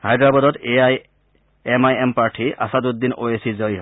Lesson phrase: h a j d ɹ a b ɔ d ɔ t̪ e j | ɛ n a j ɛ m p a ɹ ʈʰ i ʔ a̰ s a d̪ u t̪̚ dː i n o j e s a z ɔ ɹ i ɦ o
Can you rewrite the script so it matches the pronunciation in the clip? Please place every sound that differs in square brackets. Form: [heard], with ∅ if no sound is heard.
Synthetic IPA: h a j d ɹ a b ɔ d ɔ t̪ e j | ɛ [m] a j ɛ m p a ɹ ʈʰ i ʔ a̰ s a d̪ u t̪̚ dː i n o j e s [i] z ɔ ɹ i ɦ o